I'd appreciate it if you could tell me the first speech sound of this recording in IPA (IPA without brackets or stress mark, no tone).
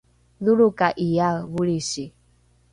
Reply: ð